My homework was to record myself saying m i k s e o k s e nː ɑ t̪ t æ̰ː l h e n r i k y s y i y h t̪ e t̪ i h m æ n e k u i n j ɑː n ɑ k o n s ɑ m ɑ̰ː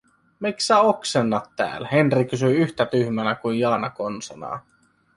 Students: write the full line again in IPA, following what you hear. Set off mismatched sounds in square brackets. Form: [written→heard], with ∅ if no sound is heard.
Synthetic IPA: m i k s [e→æ] o k s e nː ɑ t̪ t æ̰ː l h e n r i k y s y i y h t̪ [e→æ] t̪ [i→y] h m æ n [e→æ] k u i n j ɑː n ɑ k o n s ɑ [m→n] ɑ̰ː